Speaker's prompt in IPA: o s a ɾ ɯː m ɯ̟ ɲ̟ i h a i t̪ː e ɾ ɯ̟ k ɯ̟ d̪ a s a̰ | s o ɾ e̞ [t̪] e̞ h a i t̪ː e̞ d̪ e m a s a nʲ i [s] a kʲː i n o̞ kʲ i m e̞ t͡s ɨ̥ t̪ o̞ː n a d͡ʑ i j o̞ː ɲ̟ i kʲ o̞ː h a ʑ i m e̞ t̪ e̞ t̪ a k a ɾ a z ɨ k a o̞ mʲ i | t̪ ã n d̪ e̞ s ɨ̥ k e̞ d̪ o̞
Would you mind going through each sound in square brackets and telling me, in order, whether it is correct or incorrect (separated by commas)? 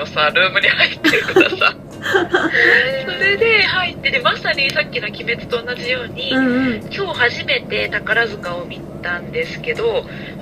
incorrect, correct